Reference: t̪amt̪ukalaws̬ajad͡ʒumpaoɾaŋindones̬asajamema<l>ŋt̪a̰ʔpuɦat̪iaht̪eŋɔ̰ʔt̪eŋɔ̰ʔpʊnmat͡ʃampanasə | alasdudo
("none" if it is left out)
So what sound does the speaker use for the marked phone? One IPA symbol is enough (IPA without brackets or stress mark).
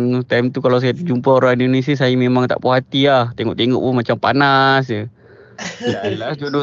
none